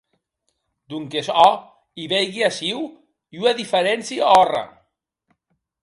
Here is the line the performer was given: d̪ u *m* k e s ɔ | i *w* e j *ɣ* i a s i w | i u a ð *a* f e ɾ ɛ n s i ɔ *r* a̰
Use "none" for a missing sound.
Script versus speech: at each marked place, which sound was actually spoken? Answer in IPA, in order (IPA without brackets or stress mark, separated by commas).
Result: ŋ, β, ɣ, i, r